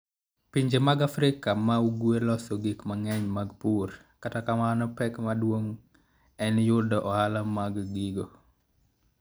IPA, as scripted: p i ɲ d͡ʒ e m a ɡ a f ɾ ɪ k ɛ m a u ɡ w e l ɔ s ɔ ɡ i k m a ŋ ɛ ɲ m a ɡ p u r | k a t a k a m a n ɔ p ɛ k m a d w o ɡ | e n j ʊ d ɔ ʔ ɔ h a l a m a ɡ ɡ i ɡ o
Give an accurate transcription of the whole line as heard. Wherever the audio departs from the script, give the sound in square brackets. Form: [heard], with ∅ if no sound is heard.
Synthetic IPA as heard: p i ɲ d͡ʒ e m a ɡ a f ɾ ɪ k [a] m a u ɡ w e l ɔ s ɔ ɡ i k m a ŋ ɛ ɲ m a ɡ p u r | k a t a k a m a n ɔ p ɛ k m a d w o [ŋ] | [ɛ] n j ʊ d ɔ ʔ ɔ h a l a m a ɡ ɡ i ɡ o

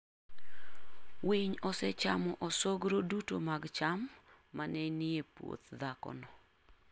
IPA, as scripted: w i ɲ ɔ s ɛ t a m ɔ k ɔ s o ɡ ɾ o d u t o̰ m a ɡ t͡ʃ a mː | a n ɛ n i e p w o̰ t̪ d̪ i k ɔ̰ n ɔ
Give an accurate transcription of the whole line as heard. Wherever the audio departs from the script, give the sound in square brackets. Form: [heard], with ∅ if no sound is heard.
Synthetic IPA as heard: w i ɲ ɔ s ɛ [t͡ʃ] a m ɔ [ʔ] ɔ s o ɡ ɾ o d u t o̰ m a ɡ t͡ʃ a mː | a n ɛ n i e p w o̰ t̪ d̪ [a] k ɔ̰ n ɔ

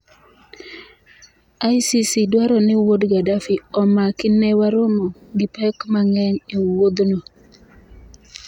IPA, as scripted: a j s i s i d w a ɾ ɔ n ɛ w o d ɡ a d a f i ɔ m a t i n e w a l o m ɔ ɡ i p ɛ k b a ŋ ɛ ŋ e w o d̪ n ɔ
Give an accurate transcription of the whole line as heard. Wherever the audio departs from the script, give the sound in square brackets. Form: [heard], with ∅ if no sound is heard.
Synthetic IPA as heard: a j s i s i d w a ɾ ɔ n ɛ w o d ɡ a d a f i ɔ m a [k] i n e w a [ɾ] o m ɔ ɡ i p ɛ k [m] a ŋ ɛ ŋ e w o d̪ n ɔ

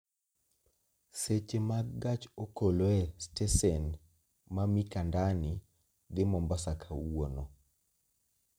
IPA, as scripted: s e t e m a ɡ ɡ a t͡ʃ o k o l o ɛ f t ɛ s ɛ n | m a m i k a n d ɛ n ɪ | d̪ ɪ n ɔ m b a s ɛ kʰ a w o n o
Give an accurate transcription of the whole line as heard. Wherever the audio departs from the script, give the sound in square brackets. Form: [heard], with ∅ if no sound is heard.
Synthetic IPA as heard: s e [t͡ʃ] e m a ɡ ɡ a t͡ʃ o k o l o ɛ [s] t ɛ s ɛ n | m a m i k a n d [a] n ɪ | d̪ ɪ [m] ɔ m b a s [a] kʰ a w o n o

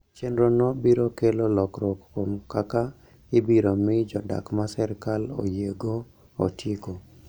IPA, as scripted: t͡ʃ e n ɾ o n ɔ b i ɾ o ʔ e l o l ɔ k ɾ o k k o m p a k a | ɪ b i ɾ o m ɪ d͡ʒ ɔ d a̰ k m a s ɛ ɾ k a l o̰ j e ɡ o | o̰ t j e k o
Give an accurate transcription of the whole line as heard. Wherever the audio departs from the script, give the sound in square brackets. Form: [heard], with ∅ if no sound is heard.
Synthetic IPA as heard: t͡ʃ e n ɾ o n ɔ b i ɾ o [k] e l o l ɔ k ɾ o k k o m [k] a k a | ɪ b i ɾ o m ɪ d͡ʒ ɔ d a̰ k m a s ɛ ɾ k a l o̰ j e ɡ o | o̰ t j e k o

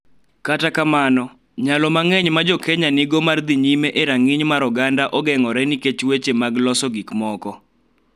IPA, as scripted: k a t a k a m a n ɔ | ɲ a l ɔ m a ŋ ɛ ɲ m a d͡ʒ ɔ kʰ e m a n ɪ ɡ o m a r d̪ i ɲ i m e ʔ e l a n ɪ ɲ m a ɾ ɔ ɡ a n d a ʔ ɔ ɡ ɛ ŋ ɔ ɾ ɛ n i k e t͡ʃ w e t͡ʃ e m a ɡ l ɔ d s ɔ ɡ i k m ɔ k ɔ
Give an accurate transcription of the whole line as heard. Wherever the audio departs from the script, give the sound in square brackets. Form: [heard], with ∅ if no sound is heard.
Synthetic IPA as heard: k a t a k a m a n ɔ | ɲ a l ɔ m a ŋ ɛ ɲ m a d͡ʒ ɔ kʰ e [ɲ] a n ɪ ɡ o m a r d̪ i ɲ i m e ʔ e [ɾ] a [ŋ] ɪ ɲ m a ɾ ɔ ɡ a n d a ʔ ɔ ɡ ɛ ŋ ɔ ɾ ɛ n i k e t͡ʃ w e t͡ʃ e m a ɡ l ɔ [∅] s ɔ ɡ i k m ɔ k ɔ

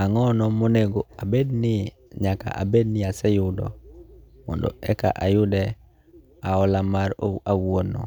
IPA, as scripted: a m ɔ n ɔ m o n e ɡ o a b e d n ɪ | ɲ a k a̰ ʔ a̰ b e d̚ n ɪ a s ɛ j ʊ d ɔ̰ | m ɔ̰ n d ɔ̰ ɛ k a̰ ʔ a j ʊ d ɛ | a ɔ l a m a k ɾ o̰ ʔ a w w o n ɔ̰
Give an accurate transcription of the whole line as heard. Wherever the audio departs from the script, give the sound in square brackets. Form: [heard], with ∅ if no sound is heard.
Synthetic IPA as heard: a [ŋ] ɔ n ɔ m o n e ɡ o a b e d n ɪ | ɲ a k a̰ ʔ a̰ b e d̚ n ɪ a s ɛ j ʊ d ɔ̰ | m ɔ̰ n d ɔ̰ ɛ k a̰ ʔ a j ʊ d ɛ | a ɔ l a m a [∅] ɾ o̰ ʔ a w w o n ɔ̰

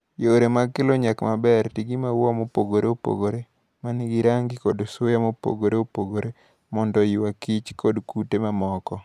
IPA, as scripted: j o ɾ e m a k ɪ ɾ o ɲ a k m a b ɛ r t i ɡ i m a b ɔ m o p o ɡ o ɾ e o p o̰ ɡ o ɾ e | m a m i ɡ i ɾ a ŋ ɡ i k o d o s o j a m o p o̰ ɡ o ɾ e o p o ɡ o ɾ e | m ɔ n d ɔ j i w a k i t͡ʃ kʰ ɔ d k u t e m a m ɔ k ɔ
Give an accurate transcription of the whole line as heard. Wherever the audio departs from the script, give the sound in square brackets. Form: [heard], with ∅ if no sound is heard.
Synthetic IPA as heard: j o ɾ e m a k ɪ [l] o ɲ a k m a b ɛ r t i ɡ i m a [w] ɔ m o p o ɡ o ɾ e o p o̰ ɡ o ɾ e | m a [n] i ɡ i ɾ a ŋ ɡ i k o d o s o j a m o p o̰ ɡ o ɾ e o p o ɡ o ɾ e | m ɔ n d ɔ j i w a k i t͡ʃ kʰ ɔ d k u t e m a m ɔ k ɔ

